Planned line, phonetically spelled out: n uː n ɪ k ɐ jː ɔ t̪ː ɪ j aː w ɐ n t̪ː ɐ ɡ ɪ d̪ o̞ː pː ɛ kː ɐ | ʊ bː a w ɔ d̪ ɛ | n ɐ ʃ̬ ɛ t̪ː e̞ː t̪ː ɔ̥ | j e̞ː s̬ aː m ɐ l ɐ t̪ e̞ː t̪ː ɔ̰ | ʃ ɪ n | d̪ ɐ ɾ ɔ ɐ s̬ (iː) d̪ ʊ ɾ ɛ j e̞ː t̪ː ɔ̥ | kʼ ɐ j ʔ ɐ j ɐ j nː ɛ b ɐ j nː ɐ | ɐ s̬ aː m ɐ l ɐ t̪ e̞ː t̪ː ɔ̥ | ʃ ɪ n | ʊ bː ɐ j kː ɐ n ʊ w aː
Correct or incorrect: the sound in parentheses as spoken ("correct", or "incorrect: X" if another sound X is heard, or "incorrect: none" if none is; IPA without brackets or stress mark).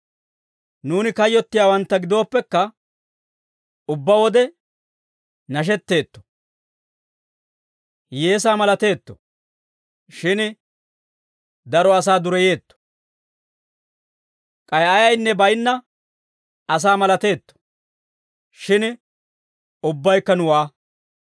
incorrect: aː